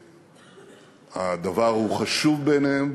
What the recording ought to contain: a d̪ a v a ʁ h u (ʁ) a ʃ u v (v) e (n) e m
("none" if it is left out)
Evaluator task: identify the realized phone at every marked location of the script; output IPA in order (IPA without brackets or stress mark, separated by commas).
χ, b, n